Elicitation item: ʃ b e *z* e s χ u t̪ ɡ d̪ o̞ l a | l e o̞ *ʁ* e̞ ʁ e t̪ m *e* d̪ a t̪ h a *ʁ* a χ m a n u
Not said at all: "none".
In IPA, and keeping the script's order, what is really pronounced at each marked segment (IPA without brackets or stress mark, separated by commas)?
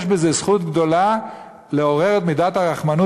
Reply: z, ʁ, i, ʁ